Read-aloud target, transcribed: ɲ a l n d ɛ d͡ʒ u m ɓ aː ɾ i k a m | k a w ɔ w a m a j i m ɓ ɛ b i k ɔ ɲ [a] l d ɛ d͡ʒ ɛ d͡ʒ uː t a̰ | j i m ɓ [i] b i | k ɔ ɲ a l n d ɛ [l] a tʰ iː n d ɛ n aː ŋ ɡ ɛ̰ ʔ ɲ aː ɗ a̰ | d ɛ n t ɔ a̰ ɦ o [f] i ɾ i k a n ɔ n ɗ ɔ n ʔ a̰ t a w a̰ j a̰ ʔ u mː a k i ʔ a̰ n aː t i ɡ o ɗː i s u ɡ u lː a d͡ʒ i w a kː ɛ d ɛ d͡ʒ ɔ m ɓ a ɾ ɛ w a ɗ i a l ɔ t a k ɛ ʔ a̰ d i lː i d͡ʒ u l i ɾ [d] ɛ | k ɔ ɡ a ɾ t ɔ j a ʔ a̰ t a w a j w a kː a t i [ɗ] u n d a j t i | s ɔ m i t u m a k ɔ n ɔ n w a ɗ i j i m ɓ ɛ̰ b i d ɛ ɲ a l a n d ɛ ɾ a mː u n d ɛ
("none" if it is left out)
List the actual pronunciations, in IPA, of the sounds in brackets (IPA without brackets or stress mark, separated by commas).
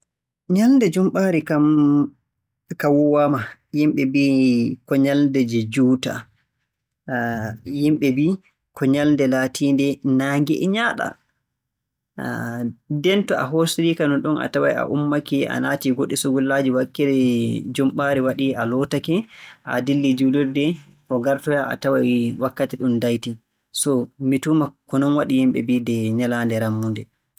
a, ɛ, l, s, d, ɗ